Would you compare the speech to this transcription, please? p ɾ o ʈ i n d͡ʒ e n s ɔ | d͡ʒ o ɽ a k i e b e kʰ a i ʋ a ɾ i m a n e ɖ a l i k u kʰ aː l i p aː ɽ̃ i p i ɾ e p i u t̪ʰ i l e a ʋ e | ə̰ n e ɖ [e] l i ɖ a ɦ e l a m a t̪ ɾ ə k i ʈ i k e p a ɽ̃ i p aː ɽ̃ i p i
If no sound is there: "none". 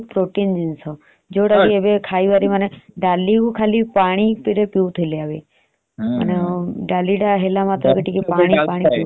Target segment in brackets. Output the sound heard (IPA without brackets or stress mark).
a